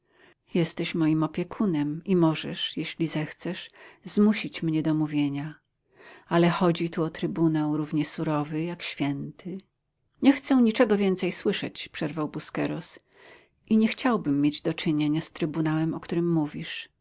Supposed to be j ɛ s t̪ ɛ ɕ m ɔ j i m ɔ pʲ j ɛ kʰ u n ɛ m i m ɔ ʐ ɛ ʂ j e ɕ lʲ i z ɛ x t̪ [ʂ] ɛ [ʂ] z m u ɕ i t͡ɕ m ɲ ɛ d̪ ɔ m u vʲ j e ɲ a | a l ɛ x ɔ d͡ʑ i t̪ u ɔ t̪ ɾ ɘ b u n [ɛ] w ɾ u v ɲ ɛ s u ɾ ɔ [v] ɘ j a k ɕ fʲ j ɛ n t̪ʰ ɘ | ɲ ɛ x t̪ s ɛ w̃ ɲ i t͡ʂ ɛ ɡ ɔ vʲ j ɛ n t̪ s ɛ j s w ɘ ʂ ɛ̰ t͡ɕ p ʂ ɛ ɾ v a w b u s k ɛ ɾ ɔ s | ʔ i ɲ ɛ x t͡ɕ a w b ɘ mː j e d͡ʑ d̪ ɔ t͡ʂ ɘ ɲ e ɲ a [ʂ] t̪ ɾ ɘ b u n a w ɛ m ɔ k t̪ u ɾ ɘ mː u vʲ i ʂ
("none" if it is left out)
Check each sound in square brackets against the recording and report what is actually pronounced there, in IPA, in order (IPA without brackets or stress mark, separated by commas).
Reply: s, ʂ, a, v, s